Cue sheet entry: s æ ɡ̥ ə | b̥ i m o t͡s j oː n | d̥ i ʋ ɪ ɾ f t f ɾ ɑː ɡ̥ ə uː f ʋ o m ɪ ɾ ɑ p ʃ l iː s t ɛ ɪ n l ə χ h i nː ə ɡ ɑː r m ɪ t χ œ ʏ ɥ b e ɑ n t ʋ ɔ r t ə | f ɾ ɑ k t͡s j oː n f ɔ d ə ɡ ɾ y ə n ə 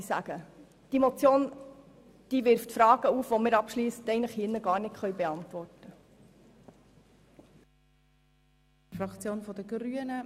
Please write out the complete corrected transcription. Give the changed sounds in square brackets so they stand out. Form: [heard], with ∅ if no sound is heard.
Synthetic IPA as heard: s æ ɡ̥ ə | [d̥] i m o t͡s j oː n | d̥ i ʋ ɪ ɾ f t f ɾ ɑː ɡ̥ ə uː f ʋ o m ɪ ɾ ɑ p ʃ l iː s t ɛ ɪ n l ə χ h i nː ə ɡ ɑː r [n] ɪ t χ œ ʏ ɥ b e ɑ n t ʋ ɔ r t ə | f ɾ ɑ k t͡s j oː n f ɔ d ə ɡ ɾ y ə n ə

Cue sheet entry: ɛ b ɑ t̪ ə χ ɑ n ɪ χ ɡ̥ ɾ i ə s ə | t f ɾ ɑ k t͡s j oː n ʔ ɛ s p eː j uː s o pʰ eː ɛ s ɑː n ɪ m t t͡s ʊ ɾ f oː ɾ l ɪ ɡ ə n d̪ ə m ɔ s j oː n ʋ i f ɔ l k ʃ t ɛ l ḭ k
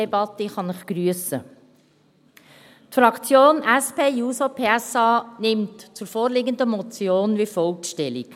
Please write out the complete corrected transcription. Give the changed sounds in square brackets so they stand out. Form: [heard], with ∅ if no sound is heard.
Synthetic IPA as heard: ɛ b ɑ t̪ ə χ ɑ n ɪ χ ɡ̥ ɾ [y] ə s ə | t f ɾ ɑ k t͡s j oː n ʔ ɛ s p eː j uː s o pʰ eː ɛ s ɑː n ɪ m t t͡s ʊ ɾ f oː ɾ l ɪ ɡ ə n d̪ ə m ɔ [t͡s] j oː n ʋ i f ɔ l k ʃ t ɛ l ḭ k

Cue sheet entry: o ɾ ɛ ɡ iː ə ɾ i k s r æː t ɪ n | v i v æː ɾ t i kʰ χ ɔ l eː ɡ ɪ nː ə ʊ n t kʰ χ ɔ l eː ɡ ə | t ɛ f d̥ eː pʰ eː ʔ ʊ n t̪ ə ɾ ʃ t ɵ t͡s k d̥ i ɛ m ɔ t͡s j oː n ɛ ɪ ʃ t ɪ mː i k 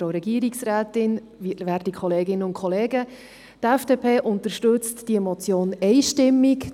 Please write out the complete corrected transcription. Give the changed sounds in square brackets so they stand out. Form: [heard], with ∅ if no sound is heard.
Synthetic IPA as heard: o ɾ ɛ ɡ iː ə ɾ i k s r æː t ɪ n | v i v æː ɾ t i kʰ χ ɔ l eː ɡ ɪ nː ə ʊ n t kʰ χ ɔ l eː ɡ ə | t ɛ f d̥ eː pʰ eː ʔ ʊ n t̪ ə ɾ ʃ t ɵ t͡s [t] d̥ i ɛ m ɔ t͡s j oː n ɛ ɪ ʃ t ɪ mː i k

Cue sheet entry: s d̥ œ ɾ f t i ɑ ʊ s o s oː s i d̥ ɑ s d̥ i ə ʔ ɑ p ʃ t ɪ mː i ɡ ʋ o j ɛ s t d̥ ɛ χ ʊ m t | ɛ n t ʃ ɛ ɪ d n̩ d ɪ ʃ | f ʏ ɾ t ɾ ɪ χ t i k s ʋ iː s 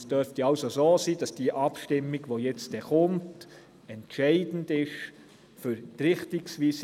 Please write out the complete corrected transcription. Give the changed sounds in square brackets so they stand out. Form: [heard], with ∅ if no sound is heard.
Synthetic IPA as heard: s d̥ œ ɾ f t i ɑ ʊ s o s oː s [iː] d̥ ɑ s d̥ i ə ʔ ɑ p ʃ t ɪ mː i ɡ ʋ o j ɛ [t͡s] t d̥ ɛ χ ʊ m t | ɛ n t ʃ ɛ ɪ d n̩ d ɪ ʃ | f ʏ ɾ t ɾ ɪ χ t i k s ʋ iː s

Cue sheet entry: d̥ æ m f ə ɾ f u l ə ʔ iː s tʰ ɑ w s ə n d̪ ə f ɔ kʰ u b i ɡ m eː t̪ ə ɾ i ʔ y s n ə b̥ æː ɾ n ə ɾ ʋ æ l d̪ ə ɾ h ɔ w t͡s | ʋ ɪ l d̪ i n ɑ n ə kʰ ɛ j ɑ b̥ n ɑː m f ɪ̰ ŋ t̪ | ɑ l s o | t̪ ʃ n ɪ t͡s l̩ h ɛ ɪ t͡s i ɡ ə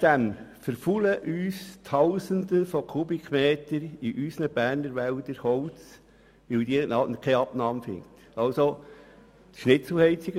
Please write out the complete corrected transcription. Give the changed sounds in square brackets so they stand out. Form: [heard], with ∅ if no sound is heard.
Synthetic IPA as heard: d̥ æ m f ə ɾ f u l ə ʔ [yː] s tʰ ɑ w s ə n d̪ ə f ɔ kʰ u b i [k] m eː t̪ ə ɾ i ʔ y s n ə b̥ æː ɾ n ə ɾ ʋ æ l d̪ ə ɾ h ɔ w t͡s | ʋ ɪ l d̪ i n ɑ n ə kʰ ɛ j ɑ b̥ n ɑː m f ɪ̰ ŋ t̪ | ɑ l s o | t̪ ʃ n ɪ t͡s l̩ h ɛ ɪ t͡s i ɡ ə

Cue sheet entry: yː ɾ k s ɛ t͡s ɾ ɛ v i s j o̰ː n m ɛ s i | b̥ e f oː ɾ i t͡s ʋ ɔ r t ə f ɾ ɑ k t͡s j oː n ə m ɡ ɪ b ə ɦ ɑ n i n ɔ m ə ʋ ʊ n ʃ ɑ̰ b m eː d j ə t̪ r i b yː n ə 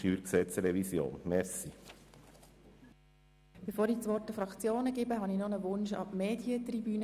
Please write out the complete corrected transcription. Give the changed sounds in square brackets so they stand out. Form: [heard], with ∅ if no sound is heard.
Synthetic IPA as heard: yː ɾ k s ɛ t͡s ɾ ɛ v i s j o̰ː n m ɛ s i | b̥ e f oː ɾ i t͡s ʋ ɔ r t ə f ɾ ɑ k t͡s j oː n ə [∅] ɡ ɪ b ə ɦ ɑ n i n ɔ [n] ə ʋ ʊ n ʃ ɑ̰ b m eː d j ə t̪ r i b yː n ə

